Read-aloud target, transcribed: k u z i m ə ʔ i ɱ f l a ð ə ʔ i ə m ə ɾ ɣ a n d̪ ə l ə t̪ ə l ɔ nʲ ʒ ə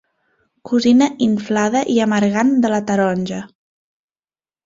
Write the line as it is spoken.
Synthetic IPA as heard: k u z i n ə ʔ i ɱ f l a ð ə ʔ i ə m ə ɾ ɣ a n d̪ ə l ə t̪ ə ɾ ɔ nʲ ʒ ə

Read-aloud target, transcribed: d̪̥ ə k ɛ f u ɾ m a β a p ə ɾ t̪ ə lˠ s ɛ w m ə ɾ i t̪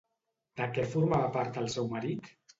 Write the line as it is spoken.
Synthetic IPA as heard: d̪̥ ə k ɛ f u ɾ m a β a p a ɾ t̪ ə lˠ s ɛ w m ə ɾ i t̪

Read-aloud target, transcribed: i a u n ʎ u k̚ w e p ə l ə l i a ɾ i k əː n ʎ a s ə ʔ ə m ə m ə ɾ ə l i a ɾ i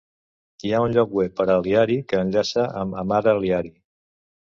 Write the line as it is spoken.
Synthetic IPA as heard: i a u n ʎ ɔ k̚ w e p ə ɾ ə l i a ɾ i k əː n ʎ a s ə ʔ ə m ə m a ɾ ə l i a ɾ i

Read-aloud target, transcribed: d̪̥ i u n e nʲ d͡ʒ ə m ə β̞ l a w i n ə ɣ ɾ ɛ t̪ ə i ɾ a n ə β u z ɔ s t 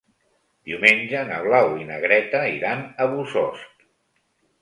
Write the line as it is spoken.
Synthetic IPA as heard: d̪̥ i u m e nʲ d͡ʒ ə n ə β̞ l a w i n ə ɣ ɾ ɛ t̪ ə i ɾ a n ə β u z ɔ s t

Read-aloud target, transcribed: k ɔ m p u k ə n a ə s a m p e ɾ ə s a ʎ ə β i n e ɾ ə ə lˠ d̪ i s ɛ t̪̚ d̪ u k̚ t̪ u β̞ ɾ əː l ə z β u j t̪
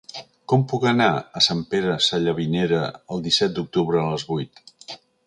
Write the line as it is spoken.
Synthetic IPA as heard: k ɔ m p u k ə n a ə s a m p e ɾ ə s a ʎ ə β i n e ɾ ə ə lˠ d̪ i s ɛ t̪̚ d̪ u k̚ t̪ u β̞ ɾ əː l ə z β u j t̪

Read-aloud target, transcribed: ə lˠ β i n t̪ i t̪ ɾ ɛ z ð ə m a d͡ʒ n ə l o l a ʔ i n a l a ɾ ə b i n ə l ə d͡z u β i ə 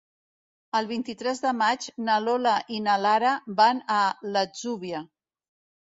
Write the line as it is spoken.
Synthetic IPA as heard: ə lˠ β i n t̪ i t̪ ɾ ɛ z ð ə m a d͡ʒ n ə l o l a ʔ i n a l a ɾ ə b a n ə l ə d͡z u β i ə

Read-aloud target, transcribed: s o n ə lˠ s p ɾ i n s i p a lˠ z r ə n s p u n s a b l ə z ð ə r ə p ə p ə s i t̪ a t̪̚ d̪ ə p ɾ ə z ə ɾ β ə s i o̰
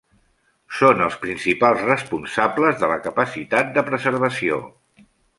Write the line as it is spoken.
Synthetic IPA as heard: s o n ə lˠ s p ɾ i n s i p a lˠ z r ə s p u n s a b l ə z ð ə l ə k ə p ə s i t̪ a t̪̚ d̪ ə p ɾ ə z ə ɾ β ə s i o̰

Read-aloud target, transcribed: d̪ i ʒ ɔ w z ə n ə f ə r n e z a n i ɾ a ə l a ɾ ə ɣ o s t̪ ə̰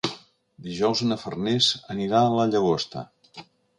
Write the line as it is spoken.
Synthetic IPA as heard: d̪ i ʒ ɔ w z ə n ə f ə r n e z ə n i ɾ a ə l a ʎ ə ɣ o s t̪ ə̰

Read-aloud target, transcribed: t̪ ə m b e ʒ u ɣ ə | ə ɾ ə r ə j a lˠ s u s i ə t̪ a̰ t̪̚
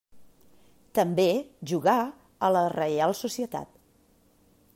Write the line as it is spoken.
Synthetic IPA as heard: t̪ ə m b e ʒ u ɣ a | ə l ə r ə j a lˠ s u s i ə t̪ a̰ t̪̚

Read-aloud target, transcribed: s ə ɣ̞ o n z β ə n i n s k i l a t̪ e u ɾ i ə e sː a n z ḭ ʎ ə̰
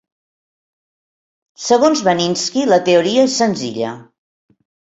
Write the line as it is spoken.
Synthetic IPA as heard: s ə ɣ̞ o n z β ə n i n s k i l ə t̪ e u ɾ i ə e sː ə n z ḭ ʎ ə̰

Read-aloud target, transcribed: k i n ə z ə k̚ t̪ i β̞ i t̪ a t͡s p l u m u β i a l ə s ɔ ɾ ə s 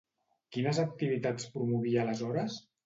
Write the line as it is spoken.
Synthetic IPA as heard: k i n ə z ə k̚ t̪ i β̞ i t̪ a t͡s p ɾ u m u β i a l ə z ɔ ɾ ə s

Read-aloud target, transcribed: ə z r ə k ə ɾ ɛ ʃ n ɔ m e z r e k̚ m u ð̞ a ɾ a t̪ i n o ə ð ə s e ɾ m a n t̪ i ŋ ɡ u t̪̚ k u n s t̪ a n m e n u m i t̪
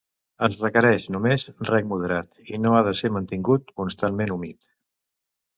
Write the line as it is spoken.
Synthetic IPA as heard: ə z r ə k ə ɾ ɛ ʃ n u m e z r ɛ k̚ m u ð̞ ə ɾ a t̪ i n o a ð ə s e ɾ m ə n t̪ i ŋ ɡ u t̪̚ k u n s t̪ a n m e n u m i t̪

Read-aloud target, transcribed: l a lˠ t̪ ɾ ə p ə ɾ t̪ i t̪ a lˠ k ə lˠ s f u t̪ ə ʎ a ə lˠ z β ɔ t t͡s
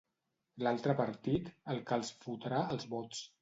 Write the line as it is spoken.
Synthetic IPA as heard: l a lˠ t̪ ɾ ə p ə ɾ t̪ i t̪ ə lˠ k a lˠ s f u t̪ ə ɾ a ə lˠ z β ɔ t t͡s

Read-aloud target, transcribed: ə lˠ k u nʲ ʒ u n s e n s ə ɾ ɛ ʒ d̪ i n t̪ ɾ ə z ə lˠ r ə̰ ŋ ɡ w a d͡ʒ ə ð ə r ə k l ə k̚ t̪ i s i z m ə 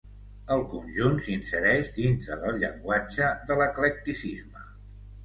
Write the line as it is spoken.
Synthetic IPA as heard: ə lˠ k u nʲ ʒ u n s i n s ə ɾ ɛ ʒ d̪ i n t̪ ɾ ə ð ə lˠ ʎ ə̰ ŋ ɡ w a d͡ʒ ə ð ə l ə k l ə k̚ t̪ i s i z m ə

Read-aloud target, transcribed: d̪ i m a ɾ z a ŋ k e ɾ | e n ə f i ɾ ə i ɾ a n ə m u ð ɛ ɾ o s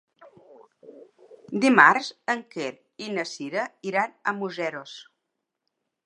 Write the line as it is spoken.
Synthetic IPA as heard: d̪ i m a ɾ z ə ŋ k e ɾ | i n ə s i ɾ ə i ɾ a n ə m u z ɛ ɾ o s

